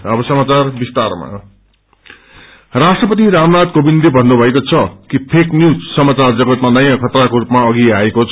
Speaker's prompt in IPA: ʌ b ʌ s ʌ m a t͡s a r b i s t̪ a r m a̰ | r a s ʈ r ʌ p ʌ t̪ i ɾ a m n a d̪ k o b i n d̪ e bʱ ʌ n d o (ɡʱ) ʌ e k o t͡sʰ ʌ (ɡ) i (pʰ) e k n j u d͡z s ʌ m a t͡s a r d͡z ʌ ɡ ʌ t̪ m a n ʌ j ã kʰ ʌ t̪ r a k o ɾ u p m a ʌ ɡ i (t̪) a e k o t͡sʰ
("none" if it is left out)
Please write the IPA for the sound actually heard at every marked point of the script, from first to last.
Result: bʱ, k, pʰ, none

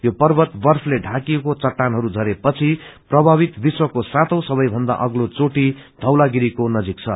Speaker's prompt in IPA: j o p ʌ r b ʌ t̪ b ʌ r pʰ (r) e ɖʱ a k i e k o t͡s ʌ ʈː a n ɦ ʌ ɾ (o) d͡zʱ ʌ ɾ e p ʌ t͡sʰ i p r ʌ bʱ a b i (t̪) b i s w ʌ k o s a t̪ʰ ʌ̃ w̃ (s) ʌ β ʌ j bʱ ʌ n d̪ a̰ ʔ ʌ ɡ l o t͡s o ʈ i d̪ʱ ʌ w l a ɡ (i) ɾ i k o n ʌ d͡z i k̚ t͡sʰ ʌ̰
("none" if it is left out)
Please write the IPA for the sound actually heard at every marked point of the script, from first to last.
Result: l, u, t̪, s, i

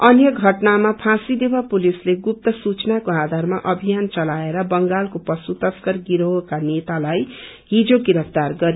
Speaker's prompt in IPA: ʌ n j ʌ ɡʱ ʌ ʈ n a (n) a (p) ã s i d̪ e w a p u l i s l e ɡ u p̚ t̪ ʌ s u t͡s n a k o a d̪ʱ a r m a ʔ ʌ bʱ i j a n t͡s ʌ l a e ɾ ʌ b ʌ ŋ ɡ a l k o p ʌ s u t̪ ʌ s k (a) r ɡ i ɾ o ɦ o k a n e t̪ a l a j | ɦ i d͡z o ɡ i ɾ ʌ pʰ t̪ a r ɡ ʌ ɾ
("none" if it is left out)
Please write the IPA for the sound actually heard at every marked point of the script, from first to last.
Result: m, pʰ, ʌ

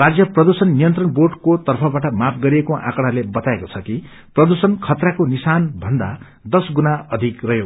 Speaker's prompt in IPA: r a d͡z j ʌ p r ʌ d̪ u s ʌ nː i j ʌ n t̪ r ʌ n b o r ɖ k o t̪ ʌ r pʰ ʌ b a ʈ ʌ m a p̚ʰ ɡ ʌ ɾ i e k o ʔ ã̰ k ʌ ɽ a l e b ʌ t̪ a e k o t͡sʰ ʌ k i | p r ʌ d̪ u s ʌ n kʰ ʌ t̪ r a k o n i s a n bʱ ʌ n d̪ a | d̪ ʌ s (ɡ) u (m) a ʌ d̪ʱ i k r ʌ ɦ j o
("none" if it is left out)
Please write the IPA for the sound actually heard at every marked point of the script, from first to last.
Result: ɡ, n

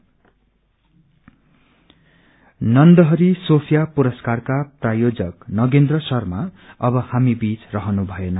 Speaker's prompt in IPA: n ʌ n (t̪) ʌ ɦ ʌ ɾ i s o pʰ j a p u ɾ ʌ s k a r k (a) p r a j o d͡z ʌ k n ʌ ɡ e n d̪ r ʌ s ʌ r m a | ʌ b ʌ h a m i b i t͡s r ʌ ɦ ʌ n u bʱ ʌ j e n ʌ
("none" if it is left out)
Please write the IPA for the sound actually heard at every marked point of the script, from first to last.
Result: d̪, a

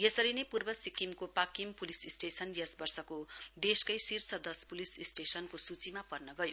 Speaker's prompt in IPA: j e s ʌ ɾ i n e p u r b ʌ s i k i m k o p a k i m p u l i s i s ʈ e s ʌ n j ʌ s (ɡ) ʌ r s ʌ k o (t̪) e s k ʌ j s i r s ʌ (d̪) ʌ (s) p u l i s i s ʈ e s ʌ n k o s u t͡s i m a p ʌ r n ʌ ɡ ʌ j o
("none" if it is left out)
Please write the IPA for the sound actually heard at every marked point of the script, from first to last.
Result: b, d̪, d̪, s

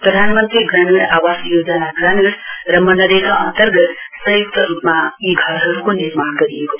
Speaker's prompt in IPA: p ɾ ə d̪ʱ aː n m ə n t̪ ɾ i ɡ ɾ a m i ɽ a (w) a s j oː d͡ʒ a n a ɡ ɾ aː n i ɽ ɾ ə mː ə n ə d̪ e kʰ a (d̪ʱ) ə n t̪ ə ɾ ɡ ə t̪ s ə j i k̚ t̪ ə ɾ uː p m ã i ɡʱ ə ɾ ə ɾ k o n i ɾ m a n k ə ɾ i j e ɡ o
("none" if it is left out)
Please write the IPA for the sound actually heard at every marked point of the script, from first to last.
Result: ʋ, none

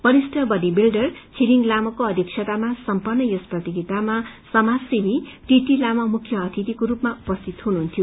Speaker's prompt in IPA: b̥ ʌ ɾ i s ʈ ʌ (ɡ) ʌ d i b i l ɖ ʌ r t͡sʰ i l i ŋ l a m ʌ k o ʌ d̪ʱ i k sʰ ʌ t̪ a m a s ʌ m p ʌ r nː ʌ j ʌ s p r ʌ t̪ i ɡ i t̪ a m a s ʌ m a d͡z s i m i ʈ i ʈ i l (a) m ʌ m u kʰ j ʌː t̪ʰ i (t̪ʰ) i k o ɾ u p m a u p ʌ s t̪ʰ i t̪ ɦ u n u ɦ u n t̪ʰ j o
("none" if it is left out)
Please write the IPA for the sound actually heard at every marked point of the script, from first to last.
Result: b, a, t̪

